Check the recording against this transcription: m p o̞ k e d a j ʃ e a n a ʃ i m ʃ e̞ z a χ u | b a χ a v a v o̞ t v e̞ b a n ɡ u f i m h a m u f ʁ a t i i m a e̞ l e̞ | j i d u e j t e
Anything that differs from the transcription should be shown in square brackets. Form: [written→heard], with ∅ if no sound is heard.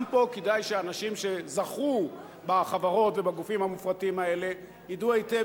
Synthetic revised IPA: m p o̞ k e d a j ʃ e a n a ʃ i m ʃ e̞ z a χ u | b a χ a v a [v→ʁ] o̞ t v e̞ b a [n→∅] ɡ u f i m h a m u f ʁ a t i i m a e̞ l e̞ | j i d u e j t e